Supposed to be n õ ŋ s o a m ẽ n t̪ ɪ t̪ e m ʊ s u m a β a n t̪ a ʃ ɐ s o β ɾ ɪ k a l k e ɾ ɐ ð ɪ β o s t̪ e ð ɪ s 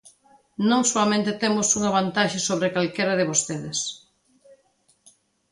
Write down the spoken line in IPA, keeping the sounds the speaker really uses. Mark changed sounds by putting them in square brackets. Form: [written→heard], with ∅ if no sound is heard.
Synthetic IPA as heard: n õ ŋ s o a m ẽ n t̪ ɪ t̪ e m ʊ s u [m→ŋ] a β a n t̪ a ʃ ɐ s o β ɾ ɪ k a l k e ɾ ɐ ð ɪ β o s t̪ e ð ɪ s